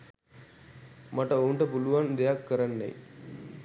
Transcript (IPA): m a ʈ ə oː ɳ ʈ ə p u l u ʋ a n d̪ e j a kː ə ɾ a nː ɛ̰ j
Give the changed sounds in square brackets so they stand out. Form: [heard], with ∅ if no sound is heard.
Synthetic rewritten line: m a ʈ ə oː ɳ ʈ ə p u l u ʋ a n d̪ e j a kː ə ɾ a nː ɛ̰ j

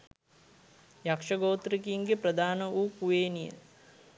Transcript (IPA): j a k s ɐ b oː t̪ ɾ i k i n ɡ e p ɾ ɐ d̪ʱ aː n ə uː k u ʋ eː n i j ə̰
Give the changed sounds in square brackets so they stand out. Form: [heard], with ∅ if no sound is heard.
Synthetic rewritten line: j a k [ʂ] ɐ [ɡ] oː t̪ ɾ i k i [ŋ] ɡ e p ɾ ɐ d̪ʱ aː n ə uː k u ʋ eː n i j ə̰

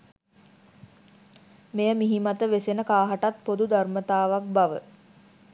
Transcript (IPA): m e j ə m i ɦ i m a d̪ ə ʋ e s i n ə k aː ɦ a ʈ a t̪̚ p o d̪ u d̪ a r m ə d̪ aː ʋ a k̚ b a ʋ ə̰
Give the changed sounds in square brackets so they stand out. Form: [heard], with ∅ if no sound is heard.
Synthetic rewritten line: m e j ə m i ɦ i m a [t̪] ə ʋ e s [e] n ə k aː ɦ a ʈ a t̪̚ p o d̪ u d̪ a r m ə [t̪] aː ʋ a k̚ b a ʋ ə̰

